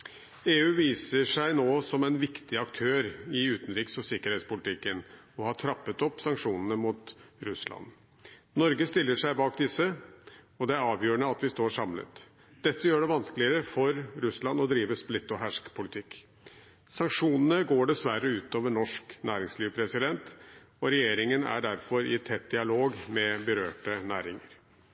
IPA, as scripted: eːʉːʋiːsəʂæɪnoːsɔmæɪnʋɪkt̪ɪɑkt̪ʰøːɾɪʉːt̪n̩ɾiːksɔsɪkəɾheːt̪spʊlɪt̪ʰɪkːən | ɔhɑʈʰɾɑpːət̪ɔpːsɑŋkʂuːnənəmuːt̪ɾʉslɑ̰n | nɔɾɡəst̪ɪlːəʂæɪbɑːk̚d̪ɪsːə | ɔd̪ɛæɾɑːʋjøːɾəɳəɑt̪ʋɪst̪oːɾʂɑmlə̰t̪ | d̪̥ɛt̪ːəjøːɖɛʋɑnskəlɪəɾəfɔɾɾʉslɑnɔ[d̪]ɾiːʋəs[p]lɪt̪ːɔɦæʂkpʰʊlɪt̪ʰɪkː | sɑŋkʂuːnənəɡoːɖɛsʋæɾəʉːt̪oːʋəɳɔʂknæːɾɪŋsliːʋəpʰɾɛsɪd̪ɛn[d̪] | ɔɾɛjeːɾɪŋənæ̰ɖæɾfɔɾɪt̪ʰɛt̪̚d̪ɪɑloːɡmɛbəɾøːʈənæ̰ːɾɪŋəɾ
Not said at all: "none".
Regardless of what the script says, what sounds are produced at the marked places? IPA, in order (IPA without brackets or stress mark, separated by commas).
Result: d̪, p, t̪